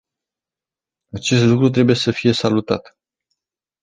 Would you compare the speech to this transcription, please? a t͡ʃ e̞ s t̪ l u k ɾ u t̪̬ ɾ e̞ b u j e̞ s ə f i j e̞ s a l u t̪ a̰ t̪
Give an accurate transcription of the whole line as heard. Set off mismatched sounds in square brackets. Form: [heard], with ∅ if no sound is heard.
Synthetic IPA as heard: a t͡ʃ e̞ s t̪ l u k ɾ u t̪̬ ɾ e̞ b u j e̞ s ə f i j e̞ s a l u t̪ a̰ t̪